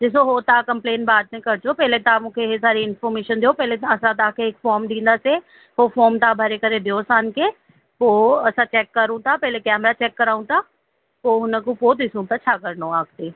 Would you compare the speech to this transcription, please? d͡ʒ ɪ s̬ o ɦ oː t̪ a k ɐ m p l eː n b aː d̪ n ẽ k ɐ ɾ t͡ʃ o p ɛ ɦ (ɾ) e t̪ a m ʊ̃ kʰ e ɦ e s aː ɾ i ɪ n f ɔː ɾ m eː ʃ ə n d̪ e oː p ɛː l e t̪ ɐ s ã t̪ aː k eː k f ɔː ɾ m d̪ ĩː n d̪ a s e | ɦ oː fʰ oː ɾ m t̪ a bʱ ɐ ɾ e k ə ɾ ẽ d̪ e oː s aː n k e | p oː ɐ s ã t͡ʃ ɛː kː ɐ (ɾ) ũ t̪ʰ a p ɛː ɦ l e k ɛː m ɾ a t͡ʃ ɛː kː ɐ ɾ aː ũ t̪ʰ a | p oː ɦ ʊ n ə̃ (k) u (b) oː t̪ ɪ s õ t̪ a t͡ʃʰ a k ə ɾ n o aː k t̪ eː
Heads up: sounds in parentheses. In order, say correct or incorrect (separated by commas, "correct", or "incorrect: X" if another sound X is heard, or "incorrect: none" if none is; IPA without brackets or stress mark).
incorrect: l, correct, correct, incorrect: p